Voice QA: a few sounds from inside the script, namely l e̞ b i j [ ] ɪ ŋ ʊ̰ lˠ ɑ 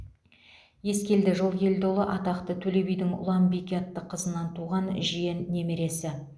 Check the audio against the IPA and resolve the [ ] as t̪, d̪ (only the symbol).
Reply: d̪